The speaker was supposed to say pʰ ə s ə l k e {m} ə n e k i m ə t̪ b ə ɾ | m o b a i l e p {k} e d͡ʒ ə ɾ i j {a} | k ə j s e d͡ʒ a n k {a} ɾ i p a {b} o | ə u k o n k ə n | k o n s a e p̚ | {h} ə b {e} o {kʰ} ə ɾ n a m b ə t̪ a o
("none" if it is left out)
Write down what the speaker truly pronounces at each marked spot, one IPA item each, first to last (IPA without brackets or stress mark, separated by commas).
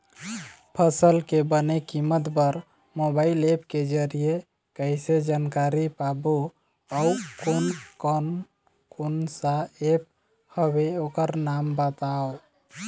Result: b, k, e, a, b, h, e, k